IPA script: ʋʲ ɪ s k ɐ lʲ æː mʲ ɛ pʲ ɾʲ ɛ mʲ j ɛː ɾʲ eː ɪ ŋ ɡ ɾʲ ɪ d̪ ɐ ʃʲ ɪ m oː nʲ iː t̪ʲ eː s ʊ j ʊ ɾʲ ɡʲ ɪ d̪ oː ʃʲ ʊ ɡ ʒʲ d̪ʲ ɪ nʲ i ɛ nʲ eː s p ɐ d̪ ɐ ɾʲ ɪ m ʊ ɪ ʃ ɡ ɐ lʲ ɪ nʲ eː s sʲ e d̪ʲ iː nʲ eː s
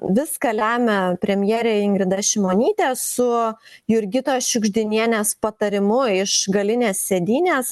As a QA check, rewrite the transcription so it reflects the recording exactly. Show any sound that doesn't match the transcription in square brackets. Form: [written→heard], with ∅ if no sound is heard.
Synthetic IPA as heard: ʋʲ ɪ s k ɐ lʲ æː mʲ ɛ pʲ ɾʲ ɛ mʲ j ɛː ɾʲ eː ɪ ŋ ɡ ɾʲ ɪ d̪ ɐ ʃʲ ɪ m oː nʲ iː t̪ʲ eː s ʊ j ʊ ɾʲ ɡʲ ɪ [d̪→t̪] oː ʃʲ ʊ ɡ ʒʲ d̪ʲ ɪ nʲ i ɛ nʲ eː s p ɐ [d̪→t̪] ɐ ɾʲ ɪ m ʊ ɪ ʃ ɡ ɐ lʲ ɪ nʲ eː s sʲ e d̪ʲ iː nʲ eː s